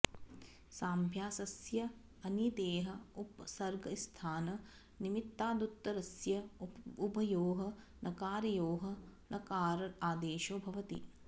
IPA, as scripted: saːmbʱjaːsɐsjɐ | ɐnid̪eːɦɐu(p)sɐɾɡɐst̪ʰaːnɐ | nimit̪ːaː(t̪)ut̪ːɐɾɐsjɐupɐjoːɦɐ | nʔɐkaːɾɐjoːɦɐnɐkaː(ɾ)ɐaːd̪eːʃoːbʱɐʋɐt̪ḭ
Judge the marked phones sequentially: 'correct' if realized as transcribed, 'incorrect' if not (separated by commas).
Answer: correct, incorrect, correct